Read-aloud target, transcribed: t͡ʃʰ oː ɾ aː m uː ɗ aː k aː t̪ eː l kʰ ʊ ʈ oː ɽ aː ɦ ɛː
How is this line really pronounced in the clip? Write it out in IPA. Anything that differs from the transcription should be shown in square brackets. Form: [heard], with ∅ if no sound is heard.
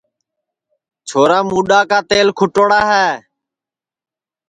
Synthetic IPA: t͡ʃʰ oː ɾ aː m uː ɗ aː k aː t̪ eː l kʰ ʊ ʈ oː ɽ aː ɦ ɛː

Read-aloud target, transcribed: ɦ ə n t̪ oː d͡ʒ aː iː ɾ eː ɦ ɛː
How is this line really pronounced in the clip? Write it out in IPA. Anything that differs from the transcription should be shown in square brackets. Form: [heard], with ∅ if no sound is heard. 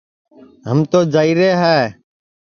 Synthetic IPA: ɦ ə [m] t̪ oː d͡ʒ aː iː ɾ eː ɦ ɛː

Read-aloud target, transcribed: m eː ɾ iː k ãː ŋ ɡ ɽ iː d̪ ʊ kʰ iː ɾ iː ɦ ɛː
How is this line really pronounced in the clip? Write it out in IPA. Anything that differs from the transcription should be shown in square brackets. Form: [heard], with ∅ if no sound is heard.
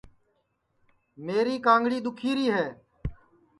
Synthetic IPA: m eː ɾ iː k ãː ŋ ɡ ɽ iː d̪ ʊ kʰ iː ɾ iː ɦ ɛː

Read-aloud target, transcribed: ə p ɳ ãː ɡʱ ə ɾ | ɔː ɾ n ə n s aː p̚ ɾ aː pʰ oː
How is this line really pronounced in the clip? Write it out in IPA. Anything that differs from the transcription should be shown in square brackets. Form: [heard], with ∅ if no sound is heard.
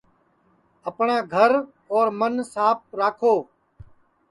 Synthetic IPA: ə p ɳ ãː ɡʱ ə ɾ | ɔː ɾ [m] ə n s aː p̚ ɾ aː [kʰ] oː

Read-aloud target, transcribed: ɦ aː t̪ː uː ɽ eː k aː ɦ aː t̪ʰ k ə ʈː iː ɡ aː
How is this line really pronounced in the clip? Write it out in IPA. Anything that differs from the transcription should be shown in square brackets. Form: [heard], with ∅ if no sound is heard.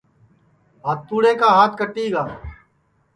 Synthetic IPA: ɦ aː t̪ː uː ɽ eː k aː ɦ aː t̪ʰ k ə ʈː iː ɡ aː

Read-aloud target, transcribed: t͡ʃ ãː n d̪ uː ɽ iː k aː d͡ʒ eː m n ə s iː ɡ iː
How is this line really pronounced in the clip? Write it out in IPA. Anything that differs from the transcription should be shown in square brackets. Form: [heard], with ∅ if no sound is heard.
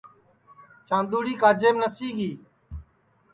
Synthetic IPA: t͡ʃ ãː n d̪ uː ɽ iː k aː d͡ʒ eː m n ə s iː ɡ iː

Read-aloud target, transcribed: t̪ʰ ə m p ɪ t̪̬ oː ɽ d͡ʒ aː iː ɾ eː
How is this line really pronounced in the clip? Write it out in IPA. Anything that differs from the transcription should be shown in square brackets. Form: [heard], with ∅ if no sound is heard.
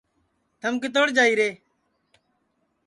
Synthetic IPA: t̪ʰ ə m [k] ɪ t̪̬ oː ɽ d͡ʒ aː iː ɾ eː

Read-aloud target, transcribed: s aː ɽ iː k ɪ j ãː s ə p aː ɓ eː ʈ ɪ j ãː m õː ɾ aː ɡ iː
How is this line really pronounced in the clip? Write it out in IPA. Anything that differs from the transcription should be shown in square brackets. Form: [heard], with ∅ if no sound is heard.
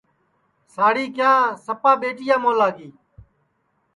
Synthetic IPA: s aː ɽ iː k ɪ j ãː s ə p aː ɓ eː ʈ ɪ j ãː m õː [l] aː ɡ iː

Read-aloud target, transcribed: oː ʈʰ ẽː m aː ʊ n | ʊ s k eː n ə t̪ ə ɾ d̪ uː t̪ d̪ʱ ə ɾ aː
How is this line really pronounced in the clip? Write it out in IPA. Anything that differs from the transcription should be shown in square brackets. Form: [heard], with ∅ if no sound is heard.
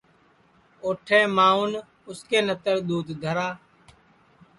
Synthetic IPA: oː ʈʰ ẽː m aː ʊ n | ʊ s k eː n ə t̪ ə ɾ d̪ uː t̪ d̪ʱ ə ɾ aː

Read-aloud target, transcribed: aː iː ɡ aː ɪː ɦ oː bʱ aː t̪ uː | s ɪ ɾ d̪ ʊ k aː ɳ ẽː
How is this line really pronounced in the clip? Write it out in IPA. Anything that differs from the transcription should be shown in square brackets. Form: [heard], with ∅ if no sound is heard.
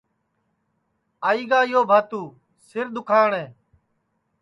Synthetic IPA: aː iː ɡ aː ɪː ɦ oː bʱ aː t̪ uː | s ɪ ɾ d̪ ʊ [kʰ] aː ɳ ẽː

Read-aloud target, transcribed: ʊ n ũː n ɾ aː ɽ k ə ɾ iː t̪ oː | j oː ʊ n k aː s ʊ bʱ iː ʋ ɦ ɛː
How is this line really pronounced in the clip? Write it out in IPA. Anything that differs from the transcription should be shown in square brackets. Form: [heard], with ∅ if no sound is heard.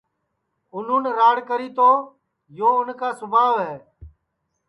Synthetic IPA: ʊ n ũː n ɾ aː ɽ k ə ɾ iː t̪ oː | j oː ʊ n k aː s ʊ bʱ [aː] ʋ ɦ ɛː

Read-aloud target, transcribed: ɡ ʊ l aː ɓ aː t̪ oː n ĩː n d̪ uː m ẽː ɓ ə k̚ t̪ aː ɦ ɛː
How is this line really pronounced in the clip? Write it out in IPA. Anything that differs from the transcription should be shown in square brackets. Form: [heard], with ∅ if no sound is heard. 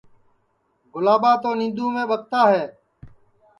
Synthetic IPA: ɡ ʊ l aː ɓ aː t̪ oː n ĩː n d̪ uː m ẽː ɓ ə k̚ t̪ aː ɦ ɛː

